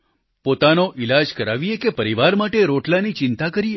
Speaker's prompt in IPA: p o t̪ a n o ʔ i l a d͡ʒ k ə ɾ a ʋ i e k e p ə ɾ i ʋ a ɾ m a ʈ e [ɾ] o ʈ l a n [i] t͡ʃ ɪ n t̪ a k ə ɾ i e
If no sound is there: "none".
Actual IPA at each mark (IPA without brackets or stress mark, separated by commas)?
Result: ɾ, i